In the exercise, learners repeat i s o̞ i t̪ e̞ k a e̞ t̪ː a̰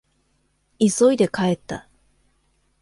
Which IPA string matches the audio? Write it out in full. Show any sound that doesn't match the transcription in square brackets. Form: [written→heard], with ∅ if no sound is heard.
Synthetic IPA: i s o̞ i [t̪→d̪] e̞ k a e̞ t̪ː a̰